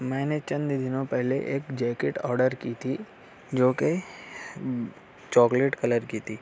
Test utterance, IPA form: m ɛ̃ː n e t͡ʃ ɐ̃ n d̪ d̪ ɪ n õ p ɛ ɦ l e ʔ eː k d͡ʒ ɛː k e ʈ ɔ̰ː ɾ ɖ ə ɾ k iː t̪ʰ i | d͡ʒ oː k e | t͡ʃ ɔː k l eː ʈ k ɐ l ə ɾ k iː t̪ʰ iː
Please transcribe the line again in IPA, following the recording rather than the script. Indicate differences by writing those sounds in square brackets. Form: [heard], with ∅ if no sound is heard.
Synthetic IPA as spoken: m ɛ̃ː n e t͡ʃ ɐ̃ n d̪ d̪ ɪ n õ p ɛ ɦ l e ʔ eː k d͡ʒ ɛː k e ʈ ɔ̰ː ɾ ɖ ə ɾ k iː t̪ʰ i | d͡ʒ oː k e | t͡ʃ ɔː k l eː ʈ k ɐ l ə ɾ k iː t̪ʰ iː